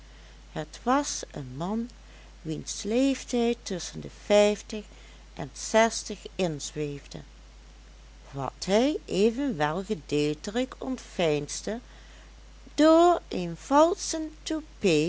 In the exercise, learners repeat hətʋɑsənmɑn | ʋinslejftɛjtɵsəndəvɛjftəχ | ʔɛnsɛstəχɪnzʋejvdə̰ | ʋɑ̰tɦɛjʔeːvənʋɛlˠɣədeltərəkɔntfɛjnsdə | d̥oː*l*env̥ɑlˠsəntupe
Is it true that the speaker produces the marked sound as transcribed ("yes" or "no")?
no